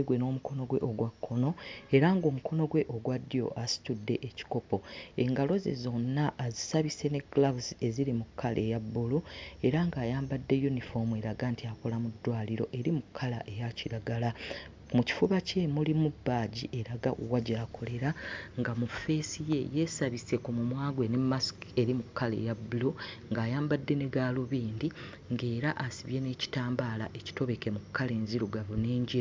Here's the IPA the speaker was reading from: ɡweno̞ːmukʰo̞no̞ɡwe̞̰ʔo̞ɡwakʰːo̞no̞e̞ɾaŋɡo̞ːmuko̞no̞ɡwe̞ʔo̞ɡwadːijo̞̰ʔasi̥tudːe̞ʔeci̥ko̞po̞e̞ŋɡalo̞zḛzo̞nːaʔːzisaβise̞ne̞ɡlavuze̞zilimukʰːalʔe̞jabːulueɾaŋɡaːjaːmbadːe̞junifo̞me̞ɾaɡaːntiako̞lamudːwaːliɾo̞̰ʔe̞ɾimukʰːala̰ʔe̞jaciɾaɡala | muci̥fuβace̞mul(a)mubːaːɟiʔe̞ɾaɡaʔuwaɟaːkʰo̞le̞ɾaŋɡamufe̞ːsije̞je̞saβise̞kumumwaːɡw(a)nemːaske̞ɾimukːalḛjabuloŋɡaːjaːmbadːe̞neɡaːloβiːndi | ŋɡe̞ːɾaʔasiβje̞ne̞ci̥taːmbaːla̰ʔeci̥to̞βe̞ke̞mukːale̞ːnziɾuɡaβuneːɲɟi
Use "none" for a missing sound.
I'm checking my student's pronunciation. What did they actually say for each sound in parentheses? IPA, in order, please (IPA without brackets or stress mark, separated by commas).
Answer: i, e